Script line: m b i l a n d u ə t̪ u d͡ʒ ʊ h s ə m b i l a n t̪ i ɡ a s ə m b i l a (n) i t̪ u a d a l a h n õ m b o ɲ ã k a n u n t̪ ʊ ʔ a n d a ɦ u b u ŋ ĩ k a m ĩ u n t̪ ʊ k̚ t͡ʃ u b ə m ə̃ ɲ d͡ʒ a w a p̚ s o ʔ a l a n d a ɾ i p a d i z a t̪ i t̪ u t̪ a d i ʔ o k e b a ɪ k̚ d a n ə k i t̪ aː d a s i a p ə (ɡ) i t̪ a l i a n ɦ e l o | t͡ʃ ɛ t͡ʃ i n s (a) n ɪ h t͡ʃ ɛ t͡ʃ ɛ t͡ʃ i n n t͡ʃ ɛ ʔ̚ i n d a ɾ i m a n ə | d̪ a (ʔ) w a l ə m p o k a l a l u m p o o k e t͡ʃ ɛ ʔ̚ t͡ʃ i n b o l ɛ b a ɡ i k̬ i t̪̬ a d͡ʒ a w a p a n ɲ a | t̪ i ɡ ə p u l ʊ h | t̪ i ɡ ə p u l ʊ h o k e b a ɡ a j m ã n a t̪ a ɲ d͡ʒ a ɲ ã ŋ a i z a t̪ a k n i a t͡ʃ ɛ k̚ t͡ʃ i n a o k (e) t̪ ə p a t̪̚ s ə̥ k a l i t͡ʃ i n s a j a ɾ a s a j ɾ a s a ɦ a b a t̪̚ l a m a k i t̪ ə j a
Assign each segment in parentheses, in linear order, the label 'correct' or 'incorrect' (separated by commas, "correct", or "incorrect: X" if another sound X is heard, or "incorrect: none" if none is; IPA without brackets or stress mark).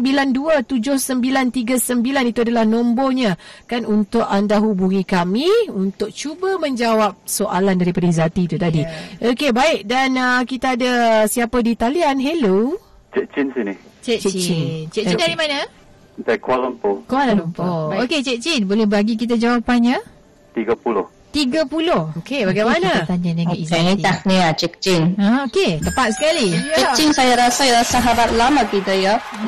correct, incorrect: d, incorrect: i, incorrect: k, correct